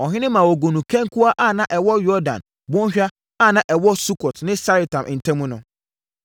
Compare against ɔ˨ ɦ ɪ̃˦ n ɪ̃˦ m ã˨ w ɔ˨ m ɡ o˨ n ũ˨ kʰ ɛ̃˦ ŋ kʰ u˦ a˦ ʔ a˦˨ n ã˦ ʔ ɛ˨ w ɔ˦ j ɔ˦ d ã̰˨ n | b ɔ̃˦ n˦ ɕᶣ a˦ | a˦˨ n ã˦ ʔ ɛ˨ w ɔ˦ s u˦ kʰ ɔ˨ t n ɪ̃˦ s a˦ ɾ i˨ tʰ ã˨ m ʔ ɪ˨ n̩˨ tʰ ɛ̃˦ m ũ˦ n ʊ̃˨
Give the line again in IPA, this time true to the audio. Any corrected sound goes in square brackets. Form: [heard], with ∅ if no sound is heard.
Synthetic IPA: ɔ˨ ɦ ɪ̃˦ n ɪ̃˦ m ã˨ w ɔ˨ [∅] ɡ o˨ n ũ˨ kʰ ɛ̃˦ ŋ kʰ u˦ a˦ ʔ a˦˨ n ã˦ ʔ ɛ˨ w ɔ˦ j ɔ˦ d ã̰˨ n | b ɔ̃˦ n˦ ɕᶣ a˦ | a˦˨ n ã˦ ʔ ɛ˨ w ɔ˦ s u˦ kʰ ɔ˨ t n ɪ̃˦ s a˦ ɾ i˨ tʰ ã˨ m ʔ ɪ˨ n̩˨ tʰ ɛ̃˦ m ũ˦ n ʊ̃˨